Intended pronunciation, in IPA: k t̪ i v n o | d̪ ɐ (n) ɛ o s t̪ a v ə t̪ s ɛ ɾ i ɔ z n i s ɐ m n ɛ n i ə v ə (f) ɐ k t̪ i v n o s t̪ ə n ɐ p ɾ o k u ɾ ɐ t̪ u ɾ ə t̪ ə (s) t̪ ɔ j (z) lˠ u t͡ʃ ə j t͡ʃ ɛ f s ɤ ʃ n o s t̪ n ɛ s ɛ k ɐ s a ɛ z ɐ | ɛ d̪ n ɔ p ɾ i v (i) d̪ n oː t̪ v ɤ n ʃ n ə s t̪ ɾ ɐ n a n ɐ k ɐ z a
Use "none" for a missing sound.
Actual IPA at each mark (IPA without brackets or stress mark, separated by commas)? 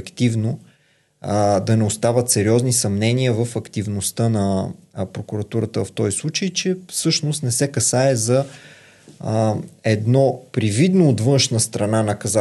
n, f, f, s, i